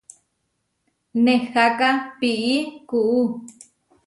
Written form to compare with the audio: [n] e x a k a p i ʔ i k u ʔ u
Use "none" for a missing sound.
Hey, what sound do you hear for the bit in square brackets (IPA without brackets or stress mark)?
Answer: n